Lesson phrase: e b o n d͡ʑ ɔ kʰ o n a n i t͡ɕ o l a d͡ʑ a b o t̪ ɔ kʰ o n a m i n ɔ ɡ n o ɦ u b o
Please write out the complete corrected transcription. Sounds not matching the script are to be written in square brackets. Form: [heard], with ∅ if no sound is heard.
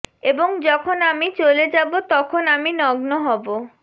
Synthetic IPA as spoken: e b o [ŋ] d͡ʑ ɔ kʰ o n a [m] i t͡ɕ o l [e] d͡ʑ a b o t̪ ɔ kʰ o n a m i n ɔ ɡ n o ɦ [ɔ] b o